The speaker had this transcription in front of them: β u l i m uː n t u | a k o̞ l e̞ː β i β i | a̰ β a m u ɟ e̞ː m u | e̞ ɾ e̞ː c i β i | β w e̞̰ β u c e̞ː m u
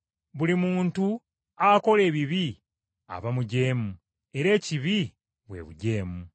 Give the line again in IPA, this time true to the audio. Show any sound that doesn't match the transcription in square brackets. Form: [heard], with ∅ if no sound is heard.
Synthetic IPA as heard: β u l i m uː n t u | a k o̞ l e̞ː β i β i | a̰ β a m u ɟ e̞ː m u | e̞ ɾ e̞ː c i β i | β w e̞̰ β u [ɟ] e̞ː m u